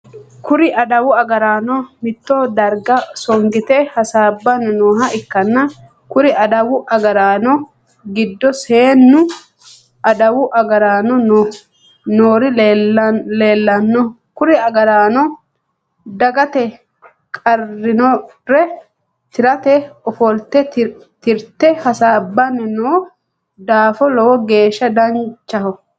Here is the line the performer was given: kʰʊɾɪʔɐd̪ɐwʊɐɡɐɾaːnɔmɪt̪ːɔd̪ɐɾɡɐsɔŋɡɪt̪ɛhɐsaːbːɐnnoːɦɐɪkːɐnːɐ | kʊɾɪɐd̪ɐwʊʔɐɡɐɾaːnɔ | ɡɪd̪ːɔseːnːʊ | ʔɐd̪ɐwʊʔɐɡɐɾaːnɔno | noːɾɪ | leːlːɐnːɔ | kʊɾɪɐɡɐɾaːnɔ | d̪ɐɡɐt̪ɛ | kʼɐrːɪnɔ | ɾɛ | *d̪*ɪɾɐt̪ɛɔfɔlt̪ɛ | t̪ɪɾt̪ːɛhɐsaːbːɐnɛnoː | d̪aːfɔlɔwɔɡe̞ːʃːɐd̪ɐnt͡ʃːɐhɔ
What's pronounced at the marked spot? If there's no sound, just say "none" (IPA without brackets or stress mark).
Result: t̪